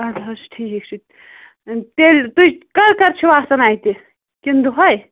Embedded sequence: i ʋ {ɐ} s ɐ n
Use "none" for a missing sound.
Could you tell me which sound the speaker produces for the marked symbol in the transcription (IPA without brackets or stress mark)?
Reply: a